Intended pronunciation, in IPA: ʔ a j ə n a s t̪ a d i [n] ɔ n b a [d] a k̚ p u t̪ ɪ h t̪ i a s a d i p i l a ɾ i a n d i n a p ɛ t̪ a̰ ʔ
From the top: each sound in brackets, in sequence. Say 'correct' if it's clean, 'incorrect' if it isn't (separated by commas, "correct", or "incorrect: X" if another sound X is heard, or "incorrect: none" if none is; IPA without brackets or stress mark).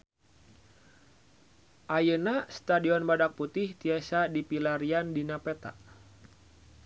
incorrect: none, correct